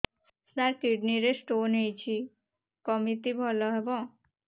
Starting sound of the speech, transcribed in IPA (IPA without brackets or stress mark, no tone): s